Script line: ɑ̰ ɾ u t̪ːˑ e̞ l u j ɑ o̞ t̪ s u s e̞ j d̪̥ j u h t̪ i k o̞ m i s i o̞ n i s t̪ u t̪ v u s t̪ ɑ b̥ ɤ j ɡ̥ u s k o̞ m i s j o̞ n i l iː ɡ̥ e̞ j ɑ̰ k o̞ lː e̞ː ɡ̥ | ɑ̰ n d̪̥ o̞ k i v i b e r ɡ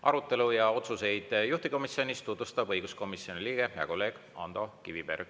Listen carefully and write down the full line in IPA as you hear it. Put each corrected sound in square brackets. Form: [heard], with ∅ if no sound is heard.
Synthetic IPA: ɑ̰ ɾ u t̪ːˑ e̞ l u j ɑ o̞ t̪ s u s e̞ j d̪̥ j u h t̪ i k o̞ m i s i o̞ n i s t̪ u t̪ v u s t̪ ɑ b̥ ɤ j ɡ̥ u s k o̞ m i s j o̞ n i l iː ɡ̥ e̞ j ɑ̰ k o̞ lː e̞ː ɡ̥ | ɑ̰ n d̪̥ o̞ k i v i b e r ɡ

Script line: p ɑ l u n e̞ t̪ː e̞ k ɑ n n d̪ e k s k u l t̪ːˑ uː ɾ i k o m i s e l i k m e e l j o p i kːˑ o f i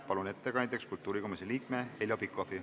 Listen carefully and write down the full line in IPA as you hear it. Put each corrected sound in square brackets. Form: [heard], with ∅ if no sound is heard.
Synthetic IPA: p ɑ l u n e̞ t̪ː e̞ k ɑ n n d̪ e k s k u l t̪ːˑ uː ɾ i k o m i s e l [iː] k m e e l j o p i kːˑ o f i

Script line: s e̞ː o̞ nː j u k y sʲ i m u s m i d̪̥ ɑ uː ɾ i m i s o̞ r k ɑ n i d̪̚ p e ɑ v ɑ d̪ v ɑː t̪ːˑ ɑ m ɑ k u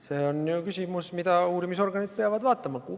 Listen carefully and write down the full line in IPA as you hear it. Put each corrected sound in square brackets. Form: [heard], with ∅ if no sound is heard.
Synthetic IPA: s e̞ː o̞ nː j u k y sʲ i m u s m i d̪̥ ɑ uː ɾ i m i s o̞ r [ɡ] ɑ n i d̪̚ p e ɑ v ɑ d̪ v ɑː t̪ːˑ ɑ m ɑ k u

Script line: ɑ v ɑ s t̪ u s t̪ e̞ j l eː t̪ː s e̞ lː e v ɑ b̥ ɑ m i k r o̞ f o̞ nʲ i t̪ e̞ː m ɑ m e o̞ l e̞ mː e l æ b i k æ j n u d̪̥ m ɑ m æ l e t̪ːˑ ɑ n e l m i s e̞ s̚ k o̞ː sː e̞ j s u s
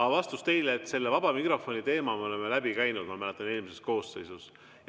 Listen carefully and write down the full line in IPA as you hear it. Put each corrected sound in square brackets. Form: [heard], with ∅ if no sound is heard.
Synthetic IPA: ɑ v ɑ s t̪ u s t̪ e̞ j l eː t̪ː s e̞ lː e v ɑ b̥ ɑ m i k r o̞ f o̞ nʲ i t̪ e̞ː m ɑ m e o̞ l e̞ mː e l æ b i k æ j n u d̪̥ m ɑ m æ l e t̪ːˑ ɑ n e l m i s e̞ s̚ k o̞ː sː e̞ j s u s

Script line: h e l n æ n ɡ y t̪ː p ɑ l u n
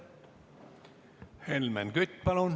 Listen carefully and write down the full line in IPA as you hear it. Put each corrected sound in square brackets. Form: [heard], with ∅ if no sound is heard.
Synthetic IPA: h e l [m] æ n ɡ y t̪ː p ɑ l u n

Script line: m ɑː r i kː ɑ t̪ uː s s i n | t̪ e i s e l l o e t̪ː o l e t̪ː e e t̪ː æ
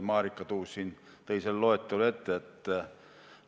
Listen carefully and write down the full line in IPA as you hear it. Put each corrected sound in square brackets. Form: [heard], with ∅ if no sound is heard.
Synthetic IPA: m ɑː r i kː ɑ t̪ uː s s i n | t̪ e i s e l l o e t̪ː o l e t̪ː e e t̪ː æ

